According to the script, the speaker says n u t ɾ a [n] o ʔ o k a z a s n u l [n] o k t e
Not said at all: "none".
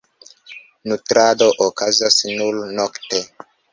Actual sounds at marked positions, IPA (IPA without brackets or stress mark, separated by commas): d, n